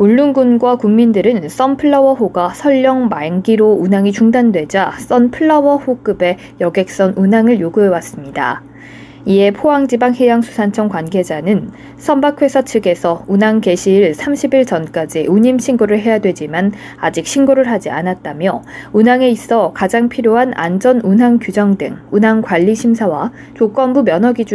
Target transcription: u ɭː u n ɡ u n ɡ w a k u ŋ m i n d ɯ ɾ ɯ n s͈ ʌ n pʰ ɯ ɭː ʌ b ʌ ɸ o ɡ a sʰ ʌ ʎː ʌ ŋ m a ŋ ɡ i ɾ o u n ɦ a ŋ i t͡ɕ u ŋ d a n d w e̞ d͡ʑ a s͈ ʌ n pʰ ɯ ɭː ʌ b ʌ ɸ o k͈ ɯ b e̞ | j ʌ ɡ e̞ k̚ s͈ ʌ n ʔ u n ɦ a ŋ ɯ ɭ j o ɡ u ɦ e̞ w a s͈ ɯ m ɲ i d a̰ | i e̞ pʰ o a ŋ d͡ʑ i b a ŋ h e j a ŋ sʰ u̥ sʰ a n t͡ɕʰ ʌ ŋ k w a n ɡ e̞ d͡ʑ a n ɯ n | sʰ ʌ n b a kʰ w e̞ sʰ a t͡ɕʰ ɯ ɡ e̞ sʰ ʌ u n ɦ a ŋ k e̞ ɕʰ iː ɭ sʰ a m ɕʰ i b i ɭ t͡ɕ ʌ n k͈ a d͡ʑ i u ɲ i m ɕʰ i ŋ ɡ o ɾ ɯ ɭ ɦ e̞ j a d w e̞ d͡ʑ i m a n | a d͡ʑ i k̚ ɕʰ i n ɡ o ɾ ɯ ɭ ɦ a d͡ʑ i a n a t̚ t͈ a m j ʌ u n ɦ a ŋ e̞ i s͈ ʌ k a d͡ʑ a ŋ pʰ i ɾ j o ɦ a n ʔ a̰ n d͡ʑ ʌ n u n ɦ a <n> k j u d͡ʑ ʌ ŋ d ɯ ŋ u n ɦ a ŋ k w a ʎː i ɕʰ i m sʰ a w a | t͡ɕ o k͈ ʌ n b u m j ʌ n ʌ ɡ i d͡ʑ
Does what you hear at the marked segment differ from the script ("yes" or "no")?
yes